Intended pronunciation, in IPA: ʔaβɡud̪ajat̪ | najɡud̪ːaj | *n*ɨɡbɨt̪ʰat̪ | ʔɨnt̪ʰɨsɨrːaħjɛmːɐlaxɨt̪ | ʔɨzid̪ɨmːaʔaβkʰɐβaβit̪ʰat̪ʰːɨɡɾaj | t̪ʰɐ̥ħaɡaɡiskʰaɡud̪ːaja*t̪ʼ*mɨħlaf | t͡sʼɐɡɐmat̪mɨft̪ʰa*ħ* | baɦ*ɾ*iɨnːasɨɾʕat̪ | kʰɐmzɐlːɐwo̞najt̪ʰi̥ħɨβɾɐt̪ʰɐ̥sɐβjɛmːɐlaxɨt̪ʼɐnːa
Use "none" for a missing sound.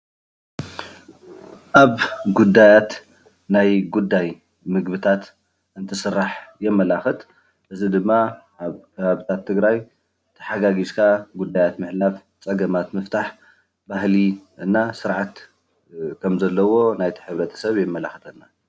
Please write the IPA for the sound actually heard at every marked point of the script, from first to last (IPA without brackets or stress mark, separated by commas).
m, t̪, ħ, l